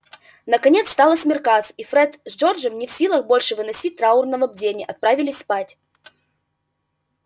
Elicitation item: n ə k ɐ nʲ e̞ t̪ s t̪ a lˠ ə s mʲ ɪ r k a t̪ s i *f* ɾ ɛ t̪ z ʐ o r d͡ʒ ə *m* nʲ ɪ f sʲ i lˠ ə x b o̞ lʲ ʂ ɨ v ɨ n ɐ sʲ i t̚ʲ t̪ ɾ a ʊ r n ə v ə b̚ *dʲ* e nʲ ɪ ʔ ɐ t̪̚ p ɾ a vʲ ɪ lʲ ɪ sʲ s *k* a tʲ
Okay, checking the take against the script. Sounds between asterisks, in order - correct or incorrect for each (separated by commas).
correct, correct, correct, incorrect